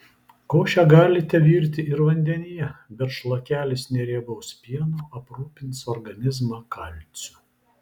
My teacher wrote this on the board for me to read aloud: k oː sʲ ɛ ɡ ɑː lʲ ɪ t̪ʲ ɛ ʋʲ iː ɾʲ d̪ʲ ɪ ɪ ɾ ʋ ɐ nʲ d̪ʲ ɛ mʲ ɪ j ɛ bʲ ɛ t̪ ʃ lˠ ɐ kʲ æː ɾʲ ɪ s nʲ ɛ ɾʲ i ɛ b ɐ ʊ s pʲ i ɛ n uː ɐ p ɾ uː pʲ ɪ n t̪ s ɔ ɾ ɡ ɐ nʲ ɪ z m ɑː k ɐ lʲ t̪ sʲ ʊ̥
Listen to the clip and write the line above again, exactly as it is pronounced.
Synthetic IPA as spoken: k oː ʃʲ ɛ ɡ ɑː lʲ ɪ t̪ʲ ɛ ʋʲ iː ɾʲ t̪ʲ ɪ ɪ ɾ ʋ ɐ nʲ d̪ʲ ɛ nʲ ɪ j ɛ bʲ ɛ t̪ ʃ lˠ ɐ kʲ æː lʲ ɪ s nʲ ɛ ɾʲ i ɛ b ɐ ʊ s pʲ i ɛ n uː ɐ p ɾ uː pʲ ɪ n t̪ s ɔ ɾ ɡ ɐ nʲ ɪ z m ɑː k ɐ lʲ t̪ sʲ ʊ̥